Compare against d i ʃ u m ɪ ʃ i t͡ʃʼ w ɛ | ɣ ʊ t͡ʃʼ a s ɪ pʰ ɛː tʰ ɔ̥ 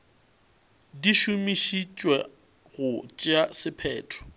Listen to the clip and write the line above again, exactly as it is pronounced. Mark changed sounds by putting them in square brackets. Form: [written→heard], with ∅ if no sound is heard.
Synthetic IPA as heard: d i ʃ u m [ɪ→i] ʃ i t͡ʃʼ w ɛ | ɣ ʊ t͡ʃʼ a s ɪ pʰ ɛː tʰ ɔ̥